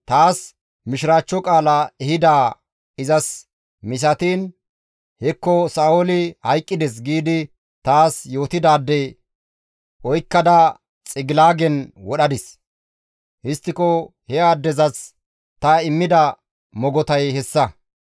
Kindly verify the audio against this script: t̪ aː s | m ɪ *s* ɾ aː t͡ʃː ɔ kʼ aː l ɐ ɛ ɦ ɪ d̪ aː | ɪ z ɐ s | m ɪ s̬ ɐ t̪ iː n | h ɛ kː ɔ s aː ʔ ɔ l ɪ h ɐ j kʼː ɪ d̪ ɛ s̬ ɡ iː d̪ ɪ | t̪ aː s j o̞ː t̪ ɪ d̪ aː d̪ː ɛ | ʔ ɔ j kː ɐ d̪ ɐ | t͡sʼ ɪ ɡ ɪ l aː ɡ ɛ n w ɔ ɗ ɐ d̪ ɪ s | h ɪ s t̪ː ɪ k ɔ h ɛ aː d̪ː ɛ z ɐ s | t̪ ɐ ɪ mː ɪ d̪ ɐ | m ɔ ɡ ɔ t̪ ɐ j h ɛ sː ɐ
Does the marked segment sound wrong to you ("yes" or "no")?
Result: yes